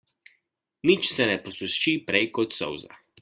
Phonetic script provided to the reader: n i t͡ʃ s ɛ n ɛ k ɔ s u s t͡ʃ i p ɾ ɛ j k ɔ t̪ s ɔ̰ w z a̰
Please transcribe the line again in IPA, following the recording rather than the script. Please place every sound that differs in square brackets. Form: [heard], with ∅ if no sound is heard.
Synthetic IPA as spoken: n i t͡ʃ s ɛ n ɛ [p] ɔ s u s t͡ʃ i p ɾ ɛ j k ɔ t̪ s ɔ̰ w z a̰